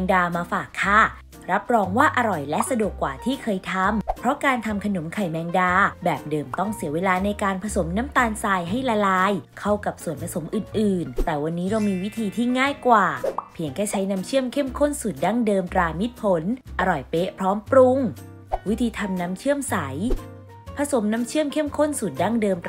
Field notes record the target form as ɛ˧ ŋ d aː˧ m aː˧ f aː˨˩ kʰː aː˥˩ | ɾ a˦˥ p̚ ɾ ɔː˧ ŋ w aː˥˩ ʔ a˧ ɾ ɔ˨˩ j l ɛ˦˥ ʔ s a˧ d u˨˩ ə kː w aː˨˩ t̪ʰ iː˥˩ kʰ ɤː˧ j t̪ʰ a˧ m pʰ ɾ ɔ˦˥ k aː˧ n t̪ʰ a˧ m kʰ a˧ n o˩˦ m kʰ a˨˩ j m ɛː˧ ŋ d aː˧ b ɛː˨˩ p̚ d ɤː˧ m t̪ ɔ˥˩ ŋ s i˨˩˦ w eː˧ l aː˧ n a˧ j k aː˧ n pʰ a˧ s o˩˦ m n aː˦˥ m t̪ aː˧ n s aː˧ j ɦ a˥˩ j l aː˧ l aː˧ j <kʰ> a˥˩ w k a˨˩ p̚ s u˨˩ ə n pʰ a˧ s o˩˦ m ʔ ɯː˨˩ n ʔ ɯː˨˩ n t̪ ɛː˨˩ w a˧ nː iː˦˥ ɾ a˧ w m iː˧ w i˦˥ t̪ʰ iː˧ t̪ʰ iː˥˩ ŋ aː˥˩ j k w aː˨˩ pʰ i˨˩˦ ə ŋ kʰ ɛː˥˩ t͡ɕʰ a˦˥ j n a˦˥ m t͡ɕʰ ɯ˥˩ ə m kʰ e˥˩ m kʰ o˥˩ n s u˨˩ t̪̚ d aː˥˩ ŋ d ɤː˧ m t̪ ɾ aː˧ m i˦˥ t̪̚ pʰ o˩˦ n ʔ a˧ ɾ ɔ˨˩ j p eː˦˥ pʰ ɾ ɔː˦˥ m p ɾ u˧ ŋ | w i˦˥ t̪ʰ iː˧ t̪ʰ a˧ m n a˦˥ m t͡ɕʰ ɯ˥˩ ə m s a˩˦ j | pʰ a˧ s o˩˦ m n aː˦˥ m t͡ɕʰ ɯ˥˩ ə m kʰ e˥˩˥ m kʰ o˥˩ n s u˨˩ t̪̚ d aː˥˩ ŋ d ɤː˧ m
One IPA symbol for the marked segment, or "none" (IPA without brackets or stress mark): kʰ